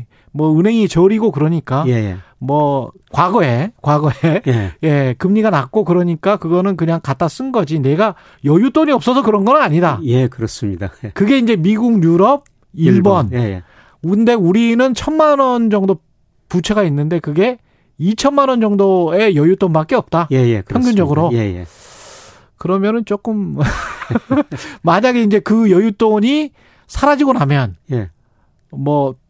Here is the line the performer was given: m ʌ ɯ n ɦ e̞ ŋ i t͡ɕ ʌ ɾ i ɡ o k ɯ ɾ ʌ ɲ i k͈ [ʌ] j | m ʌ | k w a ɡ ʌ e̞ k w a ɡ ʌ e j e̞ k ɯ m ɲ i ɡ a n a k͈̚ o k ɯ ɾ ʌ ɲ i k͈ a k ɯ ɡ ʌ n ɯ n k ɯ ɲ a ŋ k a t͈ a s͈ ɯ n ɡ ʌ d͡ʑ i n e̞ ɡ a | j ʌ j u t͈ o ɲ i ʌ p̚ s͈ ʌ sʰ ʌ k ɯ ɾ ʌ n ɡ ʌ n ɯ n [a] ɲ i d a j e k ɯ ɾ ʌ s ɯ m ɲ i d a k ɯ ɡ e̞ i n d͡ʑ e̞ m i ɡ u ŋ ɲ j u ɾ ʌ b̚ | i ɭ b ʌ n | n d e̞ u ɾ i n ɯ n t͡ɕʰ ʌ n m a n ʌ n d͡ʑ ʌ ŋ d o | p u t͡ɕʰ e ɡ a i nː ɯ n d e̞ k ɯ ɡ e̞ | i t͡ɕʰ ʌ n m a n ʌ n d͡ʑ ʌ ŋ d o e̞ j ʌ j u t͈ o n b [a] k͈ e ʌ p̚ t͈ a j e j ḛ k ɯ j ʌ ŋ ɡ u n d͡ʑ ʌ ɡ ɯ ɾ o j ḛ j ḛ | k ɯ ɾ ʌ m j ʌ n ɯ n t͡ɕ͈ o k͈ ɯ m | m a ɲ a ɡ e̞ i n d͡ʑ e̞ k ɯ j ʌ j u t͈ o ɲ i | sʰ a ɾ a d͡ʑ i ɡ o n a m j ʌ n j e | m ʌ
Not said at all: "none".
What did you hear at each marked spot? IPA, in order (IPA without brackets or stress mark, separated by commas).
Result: a, a, a